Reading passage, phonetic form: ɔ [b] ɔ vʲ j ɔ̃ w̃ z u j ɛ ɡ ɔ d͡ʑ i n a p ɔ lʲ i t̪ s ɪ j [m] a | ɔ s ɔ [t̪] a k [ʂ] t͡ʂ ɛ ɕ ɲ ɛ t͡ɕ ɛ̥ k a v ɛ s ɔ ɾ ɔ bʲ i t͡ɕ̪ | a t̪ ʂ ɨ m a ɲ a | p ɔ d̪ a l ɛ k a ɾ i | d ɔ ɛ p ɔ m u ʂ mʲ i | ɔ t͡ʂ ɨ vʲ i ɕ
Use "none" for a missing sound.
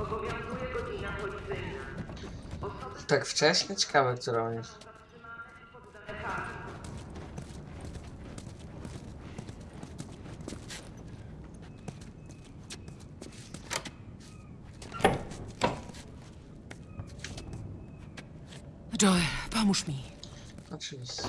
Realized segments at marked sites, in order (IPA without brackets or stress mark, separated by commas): b, n, t̪, f